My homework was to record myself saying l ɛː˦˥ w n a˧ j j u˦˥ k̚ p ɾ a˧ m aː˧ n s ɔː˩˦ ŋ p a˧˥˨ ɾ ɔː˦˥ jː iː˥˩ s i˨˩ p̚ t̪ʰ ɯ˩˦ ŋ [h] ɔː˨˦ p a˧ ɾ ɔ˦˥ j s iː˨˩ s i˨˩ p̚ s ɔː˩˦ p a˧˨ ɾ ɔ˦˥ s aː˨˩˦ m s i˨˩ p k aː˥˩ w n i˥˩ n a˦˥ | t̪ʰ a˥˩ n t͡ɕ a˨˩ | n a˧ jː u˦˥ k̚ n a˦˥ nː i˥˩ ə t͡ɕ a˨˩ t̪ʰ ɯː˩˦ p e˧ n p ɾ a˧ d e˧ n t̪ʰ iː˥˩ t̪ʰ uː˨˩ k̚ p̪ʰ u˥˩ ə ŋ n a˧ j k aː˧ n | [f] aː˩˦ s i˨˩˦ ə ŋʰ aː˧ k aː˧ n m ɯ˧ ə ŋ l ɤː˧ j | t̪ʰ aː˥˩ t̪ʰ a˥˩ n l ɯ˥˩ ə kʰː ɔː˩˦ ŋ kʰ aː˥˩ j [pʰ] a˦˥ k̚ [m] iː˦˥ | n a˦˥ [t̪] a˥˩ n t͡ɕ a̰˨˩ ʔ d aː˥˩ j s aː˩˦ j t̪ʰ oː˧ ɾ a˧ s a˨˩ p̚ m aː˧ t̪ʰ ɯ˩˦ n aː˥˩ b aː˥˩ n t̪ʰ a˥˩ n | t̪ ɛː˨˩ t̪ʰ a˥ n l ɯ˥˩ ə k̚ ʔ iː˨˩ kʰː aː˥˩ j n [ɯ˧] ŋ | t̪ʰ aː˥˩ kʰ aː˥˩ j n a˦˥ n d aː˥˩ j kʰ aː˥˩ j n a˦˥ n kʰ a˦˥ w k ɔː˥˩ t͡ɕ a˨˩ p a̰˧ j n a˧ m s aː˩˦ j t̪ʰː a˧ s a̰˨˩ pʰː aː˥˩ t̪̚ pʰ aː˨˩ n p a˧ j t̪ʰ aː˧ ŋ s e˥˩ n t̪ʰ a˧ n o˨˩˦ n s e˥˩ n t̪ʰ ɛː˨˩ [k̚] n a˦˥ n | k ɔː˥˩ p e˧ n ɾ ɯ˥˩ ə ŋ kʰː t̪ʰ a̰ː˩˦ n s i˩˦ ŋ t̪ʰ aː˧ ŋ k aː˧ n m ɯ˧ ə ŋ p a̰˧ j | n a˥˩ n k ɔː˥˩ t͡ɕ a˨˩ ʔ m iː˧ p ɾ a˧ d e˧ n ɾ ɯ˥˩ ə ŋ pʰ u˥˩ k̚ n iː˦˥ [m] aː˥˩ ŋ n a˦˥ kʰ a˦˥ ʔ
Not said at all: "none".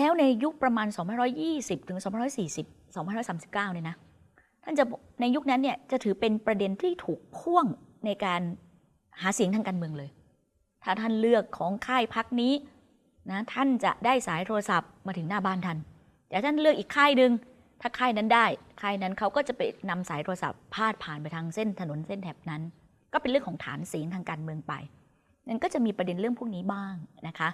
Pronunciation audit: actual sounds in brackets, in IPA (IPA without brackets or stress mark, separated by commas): s, h, pʰ, n, t̪ʰ, ɯ˧, p̚, b